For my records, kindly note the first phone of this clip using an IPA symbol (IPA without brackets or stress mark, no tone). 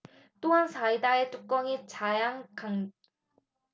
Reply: t͈